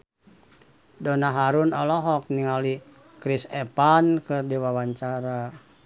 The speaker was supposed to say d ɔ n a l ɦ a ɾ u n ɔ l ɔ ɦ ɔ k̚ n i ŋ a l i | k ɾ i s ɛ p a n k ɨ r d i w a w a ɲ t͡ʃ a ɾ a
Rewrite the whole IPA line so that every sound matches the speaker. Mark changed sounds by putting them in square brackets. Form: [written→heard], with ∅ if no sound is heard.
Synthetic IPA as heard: d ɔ n a [l→∅] ɦ a ɾ u n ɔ l ɔ ɦ ɔ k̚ n i ŋ a l i | k ɾ i s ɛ p a n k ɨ r d i w a w a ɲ t͡ʃ a ɾ a